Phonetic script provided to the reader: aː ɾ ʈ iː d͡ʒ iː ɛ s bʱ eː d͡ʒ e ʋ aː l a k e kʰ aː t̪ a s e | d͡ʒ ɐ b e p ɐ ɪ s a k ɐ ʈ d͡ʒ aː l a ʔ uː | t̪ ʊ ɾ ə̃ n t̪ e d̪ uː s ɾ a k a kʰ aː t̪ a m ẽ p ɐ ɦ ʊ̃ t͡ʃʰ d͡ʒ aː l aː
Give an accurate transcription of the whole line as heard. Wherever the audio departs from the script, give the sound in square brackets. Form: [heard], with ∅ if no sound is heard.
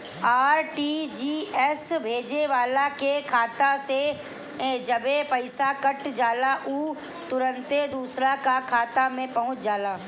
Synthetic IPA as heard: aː ɾ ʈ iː d͡ʒ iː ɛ s bʱ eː d͡ʒ e ʋ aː l a k e kʰ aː t̪ a s e | d͡ʒ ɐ b e p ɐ ɪ s a k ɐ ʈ d͡ʒ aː l a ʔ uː | t̪ ʊ ɾ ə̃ n t̪ e d̪ uː s ɾ a k a kʰ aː t̪ a m ẽ p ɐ ɦ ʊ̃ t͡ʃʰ d͡ʒ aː l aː